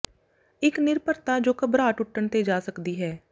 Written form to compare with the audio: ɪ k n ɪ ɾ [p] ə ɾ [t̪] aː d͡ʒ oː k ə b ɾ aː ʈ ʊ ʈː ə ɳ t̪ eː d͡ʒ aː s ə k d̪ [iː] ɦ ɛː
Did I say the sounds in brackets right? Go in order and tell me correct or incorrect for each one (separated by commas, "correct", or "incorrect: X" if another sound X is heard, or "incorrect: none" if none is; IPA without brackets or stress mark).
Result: correct, correct, correct